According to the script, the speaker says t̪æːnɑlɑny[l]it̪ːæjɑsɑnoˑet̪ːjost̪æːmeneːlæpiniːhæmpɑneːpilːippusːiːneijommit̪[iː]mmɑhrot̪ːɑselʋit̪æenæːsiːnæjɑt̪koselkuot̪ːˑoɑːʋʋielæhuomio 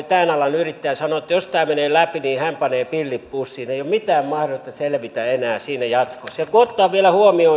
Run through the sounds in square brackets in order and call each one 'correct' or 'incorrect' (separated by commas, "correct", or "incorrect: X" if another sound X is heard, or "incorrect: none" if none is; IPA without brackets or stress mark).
incorrect: r, incorrect: æː